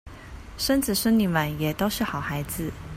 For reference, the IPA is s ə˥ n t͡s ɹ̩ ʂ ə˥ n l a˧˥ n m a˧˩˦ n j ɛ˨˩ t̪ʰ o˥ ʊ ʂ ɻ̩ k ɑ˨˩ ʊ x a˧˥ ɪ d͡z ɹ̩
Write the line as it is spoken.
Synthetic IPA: ʂ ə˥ n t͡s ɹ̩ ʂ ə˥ n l i˧˥ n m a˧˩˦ n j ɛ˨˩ t̪ o˥ ʊ ʂ ɻ̩ x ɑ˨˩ ʊ x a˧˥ ɪ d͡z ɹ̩